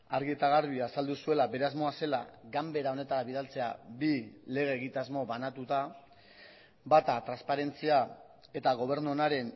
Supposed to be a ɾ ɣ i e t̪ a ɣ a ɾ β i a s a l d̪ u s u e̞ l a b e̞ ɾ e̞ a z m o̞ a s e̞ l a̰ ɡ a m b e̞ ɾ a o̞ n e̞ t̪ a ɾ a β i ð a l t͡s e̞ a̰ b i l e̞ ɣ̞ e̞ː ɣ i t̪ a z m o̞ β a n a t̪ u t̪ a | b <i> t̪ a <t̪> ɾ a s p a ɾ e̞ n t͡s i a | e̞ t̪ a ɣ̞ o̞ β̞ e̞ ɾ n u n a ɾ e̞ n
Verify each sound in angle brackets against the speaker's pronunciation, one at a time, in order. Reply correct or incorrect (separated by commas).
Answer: incorrect, correct